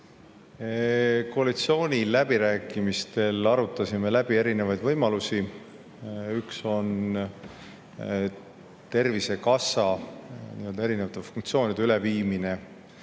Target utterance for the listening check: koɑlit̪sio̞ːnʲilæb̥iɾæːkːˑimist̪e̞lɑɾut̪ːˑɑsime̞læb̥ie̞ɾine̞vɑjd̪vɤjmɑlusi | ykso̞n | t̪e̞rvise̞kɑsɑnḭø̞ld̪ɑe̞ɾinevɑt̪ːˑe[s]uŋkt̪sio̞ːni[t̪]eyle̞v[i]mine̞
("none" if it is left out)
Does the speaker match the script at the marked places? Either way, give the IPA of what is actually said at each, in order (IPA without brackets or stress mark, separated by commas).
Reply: f, d̪, iː